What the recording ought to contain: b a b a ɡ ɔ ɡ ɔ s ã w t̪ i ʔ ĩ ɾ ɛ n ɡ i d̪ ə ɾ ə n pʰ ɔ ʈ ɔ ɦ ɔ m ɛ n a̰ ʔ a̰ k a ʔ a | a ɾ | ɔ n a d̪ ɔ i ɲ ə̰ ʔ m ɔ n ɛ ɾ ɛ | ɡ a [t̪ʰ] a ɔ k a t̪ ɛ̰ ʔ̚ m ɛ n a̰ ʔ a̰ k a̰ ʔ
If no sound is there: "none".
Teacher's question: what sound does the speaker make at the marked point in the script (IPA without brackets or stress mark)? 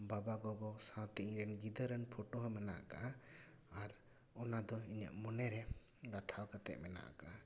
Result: t̪ʰ